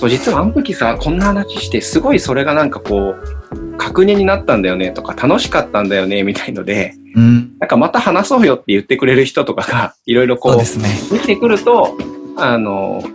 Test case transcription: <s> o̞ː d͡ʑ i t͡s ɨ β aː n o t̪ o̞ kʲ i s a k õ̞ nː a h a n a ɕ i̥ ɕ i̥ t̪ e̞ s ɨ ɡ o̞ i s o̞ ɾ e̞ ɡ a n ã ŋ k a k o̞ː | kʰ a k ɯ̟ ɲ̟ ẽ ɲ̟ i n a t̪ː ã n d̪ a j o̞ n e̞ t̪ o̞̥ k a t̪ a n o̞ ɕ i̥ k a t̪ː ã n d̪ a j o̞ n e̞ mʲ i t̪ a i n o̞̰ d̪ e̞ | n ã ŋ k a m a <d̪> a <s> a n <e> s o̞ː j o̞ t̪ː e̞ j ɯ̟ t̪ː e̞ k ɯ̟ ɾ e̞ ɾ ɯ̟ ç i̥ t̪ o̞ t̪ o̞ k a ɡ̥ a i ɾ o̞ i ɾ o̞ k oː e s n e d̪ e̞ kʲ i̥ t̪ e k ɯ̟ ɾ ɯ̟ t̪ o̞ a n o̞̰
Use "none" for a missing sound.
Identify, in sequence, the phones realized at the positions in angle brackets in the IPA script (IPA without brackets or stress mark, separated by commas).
s, t̪, h, a